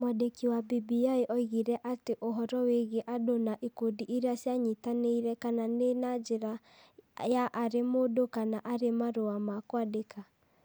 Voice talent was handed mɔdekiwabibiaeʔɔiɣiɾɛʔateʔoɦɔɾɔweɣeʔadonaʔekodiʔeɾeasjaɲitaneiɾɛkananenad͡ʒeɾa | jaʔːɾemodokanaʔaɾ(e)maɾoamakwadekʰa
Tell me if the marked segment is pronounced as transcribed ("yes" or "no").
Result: yes